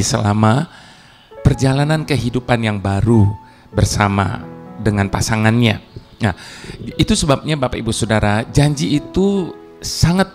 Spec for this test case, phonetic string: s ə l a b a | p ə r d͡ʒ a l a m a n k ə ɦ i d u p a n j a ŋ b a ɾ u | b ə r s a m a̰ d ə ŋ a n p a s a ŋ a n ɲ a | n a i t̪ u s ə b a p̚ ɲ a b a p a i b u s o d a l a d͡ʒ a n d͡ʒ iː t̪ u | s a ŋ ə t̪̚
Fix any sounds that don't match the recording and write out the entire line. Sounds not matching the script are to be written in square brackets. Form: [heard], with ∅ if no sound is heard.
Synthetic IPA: s ə l a [m] a | p ə r d͡ʒ a l a [n] a n k ə ɦ i d u p a n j a ŋ b a ɾ u | b ə r s a m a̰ d ə ŋ a n p a s a ŋ a n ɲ a | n a i t̪ u s ə b a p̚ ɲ a b a p a i b u s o d a [ɾ] a d͡ʒ a [ɲ] d͡ʒ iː t̪ u | s a ŋ [a] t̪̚